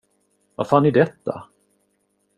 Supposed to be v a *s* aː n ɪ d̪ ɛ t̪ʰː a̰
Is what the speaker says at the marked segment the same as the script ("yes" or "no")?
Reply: no